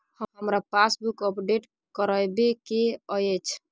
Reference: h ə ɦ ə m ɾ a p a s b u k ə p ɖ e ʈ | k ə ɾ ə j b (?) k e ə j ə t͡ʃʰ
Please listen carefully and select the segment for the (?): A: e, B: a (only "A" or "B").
A